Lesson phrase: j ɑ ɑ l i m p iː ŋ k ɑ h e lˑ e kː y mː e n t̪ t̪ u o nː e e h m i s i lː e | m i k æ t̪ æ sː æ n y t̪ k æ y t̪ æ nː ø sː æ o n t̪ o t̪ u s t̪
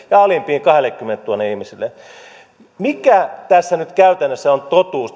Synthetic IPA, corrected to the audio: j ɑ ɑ l i m p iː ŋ k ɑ h e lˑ e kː y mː e n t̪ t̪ u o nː e i h m i s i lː e | m i k æ t̪ æ sː æ n y t̪ k æ y t̪ æ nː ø sː æ o n t̪ o t̪ uː s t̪